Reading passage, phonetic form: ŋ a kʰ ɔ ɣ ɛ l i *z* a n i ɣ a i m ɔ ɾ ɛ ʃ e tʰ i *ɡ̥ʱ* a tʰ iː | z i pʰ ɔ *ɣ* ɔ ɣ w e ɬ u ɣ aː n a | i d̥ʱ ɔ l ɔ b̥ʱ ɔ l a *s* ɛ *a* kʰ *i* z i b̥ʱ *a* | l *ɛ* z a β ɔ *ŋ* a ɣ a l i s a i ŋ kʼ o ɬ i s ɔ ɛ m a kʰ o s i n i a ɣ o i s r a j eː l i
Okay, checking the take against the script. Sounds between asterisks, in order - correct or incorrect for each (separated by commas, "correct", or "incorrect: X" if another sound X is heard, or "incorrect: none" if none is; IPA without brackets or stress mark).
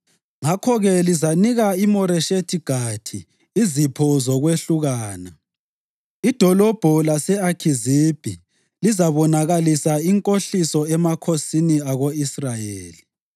correct, correct, incorrect: z, correct, correct, correct, incorrect: i, incorrect: i, incorrect: n